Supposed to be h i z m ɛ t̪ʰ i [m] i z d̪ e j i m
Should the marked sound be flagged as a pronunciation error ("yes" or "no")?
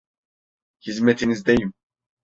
yes